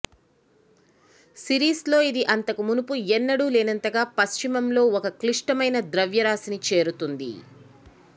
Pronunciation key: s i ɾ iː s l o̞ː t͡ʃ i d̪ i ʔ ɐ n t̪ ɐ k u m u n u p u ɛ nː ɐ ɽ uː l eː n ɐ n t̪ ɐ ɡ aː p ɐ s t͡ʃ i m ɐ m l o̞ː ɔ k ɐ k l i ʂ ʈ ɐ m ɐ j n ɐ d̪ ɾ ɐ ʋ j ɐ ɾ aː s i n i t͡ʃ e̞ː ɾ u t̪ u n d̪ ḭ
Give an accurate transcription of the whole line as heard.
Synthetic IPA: s i ɾ iː s l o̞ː i d̪ i ʔ ɐ n t̪ ɐ k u m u n u p u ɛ nː ɐ ɽ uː l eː n ɐ n t̪ ɐ ɡ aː p ɐ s t͡ʃ i m ɐ m l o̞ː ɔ k ɐ k l i ʂ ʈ ɐ m ɐ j n ɐ d̪ ɾ ɐ ʋ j ɐ ɾ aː s i n i t͡ʃ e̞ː ɾ u t̪ u n d̪ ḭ